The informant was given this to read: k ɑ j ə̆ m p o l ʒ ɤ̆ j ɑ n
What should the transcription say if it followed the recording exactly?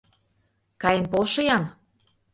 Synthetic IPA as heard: k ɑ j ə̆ n p o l ʃ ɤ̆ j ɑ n